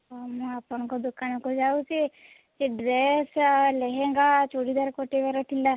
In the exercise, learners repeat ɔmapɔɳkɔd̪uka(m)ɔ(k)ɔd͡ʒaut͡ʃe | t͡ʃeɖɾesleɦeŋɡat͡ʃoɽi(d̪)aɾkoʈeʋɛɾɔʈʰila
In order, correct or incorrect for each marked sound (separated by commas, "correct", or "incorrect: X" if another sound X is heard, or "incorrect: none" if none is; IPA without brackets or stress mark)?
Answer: incorrect: n, correct, correct